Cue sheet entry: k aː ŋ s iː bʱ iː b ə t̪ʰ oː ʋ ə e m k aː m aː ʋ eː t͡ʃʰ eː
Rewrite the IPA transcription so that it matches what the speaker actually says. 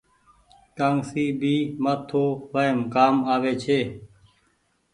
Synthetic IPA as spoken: k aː ŋ s iː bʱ iː m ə t̪ʰ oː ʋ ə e m k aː m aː ʋ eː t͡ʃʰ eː